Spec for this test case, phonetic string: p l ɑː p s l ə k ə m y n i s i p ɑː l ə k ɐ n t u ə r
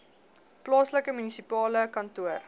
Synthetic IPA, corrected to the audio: p l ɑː s l ə k ə m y n i s i p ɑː l ə k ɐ n t u ə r